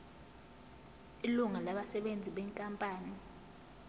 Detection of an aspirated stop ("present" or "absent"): absent